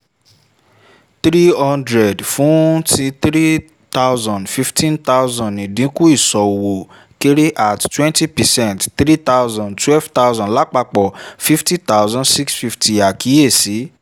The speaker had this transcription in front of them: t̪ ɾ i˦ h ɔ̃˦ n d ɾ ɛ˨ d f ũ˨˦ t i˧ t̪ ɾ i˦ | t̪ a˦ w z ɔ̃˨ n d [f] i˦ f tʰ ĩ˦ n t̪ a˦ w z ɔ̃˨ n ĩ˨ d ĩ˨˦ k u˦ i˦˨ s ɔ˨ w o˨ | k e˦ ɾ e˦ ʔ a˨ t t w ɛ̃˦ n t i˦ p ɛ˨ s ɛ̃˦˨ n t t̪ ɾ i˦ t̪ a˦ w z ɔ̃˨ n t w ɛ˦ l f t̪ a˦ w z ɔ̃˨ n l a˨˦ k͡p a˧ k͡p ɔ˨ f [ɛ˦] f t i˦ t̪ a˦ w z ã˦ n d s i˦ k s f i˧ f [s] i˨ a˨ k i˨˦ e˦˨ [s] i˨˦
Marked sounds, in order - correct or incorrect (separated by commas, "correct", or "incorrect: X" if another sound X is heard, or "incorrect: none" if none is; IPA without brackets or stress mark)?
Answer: correct, incorrect: i˦, incorrect: t, correct